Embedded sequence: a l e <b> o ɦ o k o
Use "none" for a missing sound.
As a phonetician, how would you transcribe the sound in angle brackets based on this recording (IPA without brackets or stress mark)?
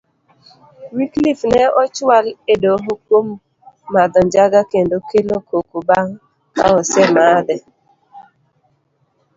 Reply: d